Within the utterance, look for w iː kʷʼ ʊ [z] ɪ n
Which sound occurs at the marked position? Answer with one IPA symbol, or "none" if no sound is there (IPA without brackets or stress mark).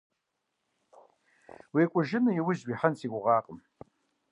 ʒ